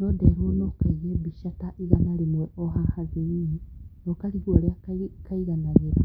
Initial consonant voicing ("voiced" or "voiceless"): voiced